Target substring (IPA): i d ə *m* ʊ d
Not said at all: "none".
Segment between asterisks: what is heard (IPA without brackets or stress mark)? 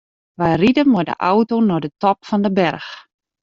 m